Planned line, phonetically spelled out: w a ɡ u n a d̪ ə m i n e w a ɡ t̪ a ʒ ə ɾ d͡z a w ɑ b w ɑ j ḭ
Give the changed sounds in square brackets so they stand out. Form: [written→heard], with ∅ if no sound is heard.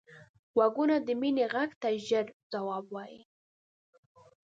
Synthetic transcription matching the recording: w a ɡ u n a d̪ ə m i n e [w→ɣ] a ɡ t̪ a ʒ ə ɾ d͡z a w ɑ b w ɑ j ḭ